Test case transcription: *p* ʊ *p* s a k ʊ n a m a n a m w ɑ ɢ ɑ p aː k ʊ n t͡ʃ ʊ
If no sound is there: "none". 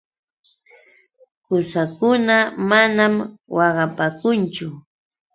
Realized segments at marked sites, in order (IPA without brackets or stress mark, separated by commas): k, none